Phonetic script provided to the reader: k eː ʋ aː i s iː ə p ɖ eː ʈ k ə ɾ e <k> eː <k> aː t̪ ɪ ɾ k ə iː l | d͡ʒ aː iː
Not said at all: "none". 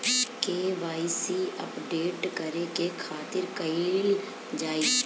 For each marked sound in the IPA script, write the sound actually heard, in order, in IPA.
k, kʰ

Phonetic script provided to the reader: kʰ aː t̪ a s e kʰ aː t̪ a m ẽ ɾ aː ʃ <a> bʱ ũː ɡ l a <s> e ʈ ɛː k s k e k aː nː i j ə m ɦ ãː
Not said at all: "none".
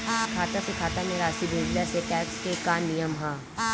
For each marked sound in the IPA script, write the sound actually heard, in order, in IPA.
i, s

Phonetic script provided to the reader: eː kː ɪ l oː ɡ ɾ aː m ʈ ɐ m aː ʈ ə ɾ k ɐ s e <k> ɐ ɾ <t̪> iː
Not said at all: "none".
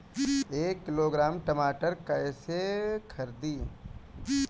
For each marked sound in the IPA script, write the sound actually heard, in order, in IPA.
kʰ, d̪

